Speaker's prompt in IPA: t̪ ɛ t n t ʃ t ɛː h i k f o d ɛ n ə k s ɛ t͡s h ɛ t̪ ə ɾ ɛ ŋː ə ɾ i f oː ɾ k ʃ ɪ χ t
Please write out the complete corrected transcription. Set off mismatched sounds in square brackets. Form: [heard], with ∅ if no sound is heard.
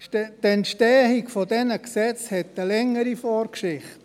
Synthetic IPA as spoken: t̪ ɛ [∅] n t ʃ t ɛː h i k f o d ɛ n ə k s ɛ t͡s h ɛ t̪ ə [l] ɛ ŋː ə ɾ i f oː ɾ k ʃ ɪ χ t

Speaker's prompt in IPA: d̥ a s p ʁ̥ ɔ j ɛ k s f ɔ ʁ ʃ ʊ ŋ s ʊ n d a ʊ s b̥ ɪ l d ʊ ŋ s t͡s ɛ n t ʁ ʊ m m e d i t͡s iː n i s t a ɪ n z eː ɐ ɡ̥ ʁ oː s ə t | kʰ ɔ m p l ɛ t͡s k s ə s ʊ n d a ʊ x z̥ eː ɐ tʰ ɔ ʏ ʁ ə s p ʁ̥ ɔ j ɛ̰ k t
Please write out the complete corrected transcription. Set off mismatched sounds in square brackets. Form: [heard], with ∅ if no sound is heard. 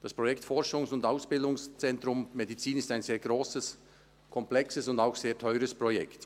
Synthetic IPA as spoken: d̥ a s p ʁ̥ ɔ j ɛ k [t] f ɔ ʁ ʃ ʊ ŋ s ʊ n d a ʊ s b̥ ɪ l d ʊ ŋ s t͡s ɛ n t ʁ ʊ m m e d i t͡s iː n [ɪ] s t a ɪ n z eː ɐ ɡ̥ ʁ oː s ə [s] | kʰ ɔ m p l ɛ [∅] k s ə s ʊ n d a ʊ x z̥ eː ɐ tʰ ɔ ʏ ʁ ə s p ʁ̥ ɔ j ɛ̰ k t

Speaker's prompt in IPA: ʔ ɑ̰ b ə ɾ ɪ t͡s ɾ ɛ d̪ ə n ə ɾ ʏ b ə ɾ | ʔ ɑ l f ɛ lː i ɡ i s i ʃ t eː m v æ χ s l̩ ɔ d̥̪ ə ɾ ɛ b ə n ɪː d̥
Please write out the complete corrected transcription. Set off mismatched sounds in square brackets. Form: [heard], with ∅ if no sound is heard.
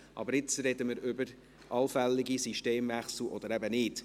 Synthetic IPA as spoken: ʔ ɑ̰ b ə ɾ ɪ t͡s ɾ ɛ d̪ ə [m] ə ɾ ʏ b ə ɾ | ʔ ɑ l f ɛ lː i ɡ i s i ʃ t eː m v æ χ s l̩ ɔ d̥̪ ə ɾ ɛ b ə n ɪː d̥

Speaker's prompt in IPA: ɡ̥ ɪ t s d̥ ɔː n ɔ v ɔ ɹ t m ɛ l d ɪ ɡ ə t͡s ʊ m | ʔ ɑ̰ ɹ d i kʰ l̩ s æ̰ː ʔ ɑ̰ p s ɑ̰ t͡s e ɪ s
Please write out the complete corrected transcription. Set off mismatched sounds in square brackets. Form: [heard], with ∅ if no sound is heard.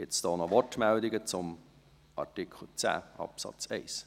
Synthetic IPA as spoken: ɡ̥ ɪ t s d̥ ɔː n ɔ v ɔ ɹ t m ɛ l d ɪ ɡ ə t͡s ʊ m | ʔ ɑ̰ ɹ [t] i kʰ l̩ [t͡s] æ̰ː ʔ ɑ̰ p s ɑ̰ t͡s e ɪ s

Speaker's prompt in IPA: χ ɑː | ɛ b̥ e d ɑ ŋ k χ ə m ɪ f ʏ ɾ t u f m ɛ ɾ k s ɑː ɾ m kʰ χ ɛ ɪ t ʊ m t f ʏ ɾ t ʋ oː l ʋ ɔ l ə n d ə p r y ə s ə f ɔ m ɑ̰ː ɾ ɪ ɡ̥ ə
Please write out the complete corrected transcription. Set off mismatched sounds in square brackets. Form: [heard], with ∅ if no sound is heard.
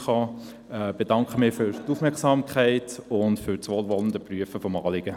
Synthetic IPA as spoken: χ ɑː | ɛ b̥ e d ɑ ŋ k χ ə m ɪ f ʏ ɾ t u f m ɛ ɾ k s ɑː [∅] m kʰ χ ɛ ɪ t ʊ [n] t f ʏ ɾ [t͡s] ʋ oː l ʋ ɔ l ə n d ə p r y ə [f] ə f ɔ m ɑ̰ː [l] ɪ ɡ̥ ə

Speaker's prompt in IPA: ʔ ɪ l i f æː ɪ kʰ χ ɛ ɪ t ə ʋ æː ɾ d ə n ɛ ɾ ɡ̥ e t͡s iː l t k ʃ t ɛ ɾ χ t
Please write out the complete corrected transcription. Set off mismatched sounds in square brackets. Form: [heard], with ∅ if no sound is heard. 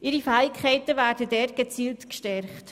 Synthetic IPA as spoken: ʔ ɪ [ɾ] i f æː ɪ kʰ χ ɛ ɪ t ə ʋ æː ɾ d ə [d] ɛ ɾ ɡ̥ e t͡s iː l t k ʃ t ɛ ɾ χ t

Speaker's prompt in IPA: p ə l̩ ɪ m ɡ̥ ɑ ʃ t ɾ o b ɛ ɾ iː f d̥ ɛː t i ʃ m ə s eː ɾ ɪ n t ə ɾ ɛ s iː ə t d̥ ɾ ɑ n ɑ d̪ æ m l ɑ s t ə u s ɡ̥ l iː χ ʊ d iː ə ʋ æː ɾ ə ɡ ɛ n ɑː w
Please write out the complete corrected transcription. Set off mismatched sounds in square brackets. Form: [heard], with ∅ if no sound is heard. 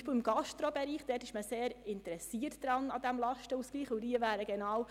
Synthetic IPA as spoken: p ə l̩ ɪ m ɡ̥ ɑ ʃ t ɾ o b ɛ ɾ iː [χ] d̥ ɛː t [ɪ] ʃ m ə s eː ɾ ɪ n t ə ɾ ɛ s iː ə t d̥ ɾ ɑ n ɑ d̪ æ m l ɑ [ʃ] t ə u s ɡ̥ l iː χ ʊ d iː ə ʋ æː ɾ ə ɡ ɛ n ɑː w

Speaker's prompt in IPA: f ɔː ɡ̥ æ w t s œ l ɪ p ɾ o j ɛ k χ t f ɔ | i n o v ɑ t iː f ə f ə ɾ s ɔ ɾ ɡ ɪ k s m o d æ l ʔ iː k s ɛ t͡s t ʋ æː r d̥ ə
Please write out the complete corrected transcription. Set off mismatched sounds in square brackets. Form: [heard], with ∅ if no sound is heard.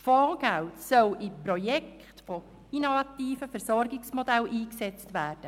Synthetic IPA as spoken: f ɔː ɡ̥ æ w t s œ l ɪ p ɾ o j ɛ k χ t f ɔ | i n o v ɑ t iː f ə f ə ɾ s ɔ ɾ ɡ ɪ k s m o d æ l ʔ iː k s ɛ t͡s t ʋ æː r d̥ ə

